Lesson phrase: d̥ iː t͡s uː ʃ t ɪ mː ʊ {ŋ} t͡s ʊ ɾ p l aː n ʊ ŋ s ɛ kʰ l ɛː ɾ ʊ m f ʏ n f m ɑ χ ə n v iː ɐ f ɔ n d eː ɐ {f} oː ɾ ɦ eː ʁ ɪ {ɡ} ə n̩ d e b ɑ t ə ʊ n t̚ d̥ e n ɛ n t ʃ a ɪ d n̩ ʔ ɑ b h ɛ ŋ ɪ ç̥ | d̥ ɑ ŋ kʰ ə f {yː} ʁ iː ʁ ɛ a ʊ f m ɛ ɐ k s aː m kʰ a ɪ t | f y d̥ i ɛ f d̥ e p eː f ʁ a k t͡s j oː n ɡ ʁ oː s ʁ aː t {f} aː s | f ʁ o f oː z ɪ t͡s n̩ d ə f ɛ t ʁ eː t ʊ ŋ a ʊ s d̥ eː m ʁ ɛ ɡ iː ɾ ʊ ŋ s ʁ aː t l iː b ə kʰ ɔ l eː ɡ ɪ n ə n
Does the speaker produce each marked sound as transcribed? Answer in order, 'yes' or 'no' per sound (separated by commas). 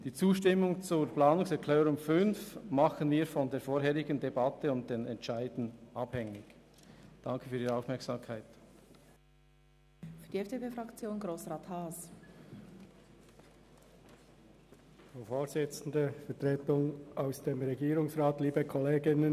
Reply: yes, yes, yes, yes, no